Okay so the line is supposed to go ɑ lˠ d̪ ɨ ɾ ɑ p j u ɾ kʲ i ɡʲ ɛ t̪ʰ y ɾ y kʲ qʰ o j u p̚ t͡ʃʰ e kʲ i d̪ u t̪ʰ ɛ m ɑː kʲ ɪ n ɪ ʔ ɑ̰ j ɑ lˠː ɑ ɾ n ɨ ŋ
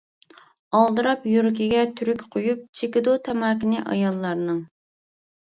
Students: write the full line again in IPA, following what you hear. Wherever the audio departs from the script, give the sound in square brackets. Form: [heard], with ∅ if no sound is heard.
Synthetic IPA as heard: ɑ lˠ d̪ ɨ ɾ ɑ p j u ɾ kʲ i ɡʲ ɛ t̪ʰ y ɾ y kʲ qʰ o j u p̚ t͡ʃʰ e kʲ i d̪ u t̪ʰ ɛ m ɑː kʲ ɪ n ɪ ʔ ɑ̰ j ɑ lˠː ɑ ɾ n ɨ ŋ